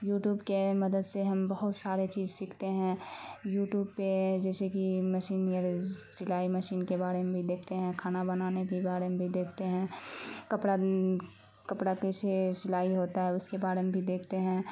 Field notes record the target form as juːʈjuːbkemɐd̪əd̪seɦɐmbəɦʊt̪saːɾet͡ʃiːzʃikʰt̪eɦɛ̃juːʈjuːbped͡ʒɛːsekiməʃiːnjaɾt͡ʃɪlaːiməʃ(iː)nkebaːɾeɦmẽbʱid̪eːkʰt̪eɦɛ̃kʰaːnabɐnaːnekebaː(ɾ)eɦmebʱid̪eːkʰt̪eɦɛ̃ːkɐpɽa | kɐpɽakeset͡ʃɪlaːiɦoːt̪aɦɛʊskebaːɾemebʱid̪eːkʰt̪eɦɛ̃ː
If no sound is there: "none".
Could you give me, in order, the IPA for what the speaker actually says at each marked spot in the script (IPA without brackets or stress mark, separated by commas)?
iː, ɾ